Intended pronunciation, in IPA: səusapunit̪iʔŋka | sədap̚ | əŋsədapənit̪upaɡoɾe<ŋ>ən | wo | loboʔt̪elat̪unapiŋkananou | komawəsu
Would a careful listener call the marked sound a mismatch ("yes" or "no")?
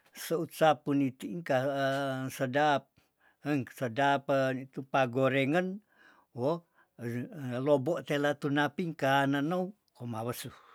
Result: no